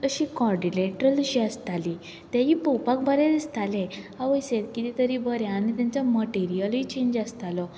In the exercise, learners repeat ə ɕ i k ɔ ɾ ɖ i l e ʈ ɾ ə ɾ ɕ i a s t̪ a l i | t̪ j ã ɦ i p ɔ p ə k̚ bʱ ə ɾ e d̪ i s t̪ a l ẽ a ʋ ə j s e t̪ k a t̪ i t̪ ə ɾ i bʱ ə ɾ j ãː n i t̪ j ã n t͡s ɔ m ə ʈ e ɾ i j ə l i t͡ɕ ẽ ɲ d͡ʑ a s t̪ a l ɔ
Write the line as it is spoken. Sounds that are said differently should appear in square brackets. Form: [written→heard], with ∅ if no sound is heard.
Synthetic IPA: ə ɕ i k ɔ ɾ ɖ i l e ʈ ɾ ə [ɾ→l] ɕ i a s t̪ a l i | t̪ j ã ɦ i p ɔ p [ə→a] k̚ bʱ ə ɾ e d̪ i s t̪ a l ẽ a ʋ ə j s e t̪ k [a→i] t̪ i t̪ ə ɾ i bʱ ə ɾ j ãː n i t̪ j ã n t͡s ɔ m ə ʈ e ɾ i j ə l i t͡ɕ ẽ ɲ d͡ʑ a s t̪ a l ɔ